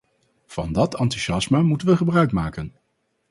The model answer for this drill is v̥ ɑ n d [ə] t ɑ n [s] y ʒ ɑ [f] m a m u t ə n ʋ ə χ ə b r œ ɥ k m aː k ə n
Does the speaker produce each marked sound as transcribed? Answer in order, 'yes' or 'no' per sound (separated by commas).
no, no, no